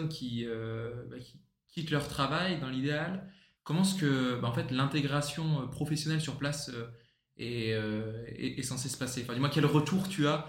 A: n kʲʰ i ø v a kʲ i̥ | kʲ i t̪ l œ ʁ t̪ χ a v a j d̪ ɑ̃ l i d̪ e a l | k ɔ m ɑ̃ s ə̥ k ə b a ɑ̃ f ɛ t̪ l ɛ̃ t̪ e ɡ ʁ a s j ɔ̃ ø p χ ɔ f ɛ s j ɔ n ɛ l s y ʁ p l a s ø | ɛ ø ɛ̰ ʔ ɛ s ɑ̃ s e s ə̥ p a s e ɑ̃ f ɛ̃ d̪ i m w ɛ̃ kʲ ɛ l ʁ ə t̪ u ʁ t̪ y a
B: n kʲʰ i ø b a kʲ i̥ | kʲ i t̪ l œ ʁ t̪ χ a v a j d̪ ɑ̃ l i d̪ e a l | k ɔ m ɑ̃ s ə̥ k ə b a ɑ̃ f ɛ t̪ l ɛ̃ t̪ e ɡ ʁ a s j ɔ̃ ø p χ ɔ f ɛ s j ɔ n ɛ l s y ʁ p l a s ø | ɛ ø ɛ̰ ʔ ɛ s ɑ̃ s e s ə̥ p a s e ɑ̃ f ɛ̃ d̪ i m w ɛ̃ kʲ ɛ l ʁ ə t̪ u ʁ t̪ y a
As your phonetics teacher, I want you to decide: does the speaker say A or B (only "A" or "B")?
B